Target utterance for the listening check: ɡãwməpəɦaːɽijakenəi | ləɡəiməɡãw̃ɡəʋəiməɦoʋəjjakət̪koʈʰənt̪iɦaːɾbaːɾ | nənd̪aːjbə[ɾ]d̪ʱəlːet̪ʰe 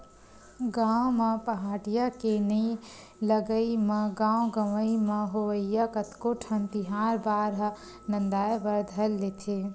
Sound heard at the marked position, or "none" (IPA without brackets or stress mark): ɾ